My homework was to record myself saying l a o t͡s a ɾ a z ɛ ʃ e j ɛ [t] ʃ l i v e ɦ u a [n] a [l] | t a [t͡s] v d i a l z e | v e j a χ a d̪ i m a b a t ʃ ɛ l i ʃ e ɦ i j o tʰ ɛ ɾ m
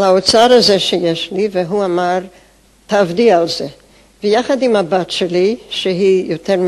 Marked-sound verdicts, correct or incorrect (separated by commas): incorrect, incorrect, incorrect, incorrect